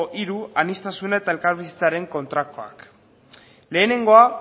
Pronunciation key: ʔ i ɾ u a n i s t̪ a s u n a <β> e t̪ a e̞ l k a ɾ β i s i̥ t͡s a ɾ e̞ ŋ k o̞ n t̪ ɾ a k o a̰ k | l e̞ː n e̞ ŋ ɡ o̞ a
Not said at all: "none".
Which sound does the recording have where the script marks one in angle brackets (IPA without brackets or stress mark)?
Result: none